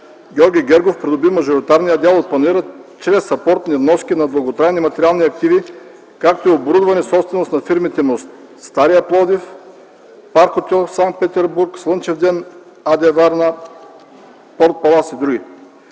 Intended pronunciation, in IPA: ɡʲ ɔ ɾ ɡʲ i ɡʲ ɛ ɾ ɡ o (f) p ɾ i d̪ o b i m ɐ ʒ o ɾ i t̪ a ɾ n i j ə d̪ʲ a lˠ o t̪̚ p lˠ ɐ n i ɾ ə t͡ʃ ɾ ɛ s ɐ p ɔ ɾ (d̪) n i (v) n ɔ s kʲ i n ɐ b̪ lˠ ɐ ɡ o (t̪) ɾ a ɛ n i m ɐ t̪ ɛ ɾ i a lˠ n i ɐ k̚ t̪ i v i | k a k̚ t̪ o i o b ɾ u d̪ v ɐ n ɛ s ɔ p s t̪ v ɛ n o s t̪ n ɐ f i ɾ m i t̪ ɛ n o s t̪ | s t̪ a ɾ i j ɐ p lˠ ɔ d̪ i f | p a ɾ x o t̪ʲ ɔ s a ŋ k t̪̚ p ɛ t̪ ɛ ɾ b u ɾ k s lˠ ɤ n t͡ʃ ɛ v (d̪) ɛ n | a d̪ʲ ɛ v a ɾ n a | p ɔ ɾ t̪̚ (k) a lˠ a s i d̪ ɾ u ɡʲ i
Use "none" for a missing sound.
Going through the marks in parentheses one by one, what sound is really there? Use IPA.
f, t̪, v, t̪, d̪, p

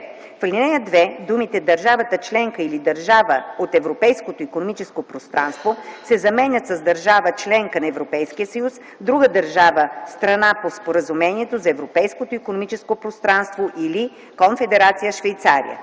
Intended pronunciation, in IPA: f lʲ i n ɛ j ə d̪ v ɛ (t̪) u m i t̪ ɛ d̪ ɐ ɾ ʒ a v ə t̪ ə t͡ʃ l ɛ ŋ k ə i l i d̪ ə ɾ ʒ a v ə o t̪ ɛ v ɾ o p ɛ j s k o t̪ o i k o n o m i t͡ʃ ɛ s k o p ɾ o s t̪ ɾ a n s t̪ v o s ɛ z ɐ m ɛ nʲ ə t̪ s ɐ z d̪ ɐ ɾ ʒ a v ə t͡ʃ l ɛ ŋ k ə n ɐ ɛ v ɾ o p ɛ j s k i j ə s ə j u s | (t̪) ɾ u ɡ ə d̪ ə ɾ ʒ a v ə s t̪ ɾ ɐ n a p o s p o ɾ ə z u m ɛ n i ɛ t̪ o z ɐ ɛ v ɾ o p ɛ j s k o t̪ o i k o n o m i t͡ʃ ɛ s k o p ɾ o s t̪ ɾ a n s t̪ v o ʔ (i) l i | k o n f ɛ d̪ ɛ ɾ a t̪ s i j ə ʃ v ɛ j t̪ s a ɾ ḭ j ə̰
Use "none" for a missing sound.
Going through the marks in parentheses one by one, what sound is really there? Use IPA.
d̪, d̪, i

